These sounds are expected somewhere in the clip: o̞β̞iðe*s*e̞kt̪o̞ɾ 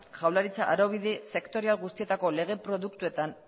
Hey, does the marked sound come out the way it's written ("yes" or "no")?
yes